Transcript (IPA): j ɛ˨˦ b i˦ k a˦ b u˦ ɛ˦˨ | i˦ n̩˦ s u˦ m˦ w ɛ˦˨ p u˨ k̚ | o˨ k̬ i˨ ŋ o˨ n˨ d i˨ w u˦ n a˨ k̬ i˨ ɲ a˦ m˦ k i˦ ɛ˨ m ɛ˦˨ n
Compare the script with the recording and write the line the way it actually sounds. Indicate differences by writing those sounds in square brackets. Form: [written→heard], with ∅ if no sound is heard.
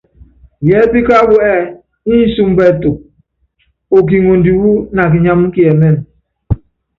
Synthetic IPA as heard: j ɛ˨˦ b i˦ k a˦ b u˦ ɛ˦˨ | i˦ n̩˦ s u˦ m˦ [w→b] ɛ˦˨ [p→t] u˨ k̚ | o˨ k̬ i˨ ŋ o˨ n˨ d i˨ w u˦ n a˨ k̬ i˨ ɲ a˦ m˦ k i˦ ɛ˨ m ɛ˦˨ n